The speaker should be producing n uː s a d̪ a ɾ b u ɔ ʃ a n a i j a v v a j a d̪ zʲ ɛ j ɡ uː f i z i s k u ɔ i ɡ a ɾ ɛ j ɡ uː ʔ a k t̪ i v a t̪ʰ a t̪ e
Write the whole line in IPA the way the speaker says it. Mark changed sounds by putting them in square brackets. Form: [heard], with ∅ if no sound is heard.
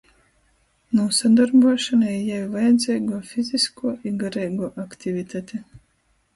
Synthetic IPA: n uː s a d̪ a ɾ b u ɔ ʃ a n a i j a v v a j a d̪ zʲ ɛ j ɡ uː f i z i s k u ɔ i ɡ a ɾ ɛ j ɡ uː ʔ a k t̪ i v [i] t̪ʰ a t̪ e